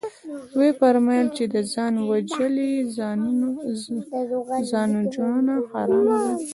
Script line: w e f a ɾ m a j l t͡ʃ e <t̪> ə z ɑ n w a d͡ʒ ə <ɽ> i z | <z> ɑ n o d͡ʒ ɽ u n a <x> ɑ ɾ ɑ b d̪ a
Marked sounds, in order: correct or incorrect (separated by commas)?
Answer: incorrect, incorrect, correct, correct